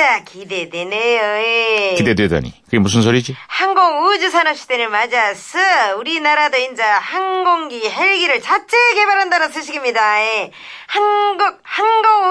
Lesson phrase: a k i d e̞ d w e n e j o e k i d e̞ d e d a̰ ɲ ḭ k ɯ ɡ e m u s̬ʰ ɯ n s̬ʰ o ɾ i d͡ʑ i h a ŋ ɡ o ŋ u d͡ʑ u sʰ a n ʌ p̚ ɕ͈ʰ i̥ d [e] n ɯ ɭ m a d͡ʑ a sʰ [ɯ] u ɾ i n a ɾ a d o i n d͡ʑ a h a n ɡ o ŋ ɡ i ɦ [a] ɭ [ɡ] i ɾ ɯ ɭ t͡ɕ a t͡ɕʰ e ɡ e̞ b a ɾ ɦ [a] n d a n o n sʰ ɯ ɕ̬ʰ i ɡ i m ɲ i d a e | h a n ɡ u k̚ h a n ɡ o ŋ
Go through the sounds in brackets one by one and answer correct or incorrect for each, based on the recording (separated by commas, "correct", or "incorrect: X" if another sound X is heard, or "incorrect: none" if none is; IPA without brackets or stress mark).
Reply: correct, correct, incorrect: e, correct, correct